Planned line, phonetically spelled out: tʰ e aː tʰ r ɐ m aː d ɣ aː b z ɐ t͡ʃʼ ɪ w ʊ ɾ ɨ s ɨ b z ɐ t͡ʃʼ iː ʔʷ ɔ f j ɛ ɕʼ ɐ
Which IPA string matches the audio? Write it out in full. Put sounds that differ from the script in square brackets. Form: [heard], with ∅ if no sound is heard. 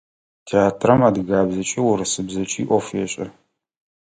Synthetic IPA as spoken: tʰ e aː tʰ r ɐ m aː d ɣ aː b z ɐ t͡ʃʼ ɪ w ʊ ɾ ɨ s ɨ b z ɐ t͡ʃʼ iː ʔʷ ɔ f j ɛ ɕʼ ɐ